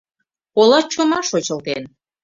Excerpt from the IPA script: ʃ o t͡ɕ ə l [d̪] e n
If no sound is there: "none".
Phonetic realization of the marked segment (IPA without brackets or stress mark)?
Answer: t̪